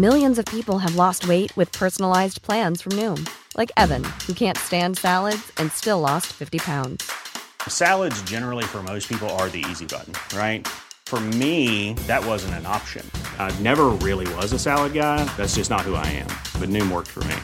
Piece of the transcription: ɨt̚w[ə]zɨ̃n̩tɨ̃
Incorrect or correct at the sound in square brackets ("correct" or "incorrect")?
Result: incorrect